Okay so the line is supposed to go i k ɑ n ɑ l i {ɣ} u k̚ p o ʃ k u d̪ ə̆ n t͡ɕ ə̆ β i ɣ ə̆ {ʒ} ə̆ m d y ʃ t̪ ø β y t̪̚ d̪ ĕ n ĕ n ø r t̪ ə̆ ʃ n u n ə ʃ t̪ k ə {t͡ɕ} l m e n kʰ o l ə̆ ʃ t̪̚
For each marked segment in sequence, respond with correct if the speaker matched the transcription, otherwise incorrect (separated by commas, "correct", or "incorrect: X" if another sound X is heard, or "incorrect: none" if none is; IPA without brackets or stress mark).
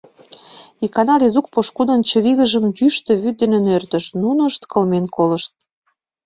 incorrect: z, correct, incorrect: none